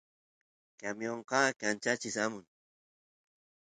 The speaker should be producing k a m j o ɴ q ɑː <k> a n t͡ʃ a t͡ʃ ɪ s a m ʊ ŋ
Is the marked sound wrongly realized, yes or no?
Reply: no